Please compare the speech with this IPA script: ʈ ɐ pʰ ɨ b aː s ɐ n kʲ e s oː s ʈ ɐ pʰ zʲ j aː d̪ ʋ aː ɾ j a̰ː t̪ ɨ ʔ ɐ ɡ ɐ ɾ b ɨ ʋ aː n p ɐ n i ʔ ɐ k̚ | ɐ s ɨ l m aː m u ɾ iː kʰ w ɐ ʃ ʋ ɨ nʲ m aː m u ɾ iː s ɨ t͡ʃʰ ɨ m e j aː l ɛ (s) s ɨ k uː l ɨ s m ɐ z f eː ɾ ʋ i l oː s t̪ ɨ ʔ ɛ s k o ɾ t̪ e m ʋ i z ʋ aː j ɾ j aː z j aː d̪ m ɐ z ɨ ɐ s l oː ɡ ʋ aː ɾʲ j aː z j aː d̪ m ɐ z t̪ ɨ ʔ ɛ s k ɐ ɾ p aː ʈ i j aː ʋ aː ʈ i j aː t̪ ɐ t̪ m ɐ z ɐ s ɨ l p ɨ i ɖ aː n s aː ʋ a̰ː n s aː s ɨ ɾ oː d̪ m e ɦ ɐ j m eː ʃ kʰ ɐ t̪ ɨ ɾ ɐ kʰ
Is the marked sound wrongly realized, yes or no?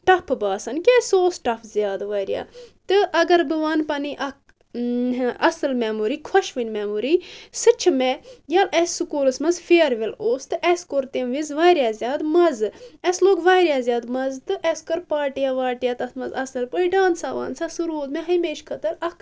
no